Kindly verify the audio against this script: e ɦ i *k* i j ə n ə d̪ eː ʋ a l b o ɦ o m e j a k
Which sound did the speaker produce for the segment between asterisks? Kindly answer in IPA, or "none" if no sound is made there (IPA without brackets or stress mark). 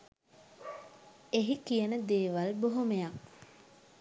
k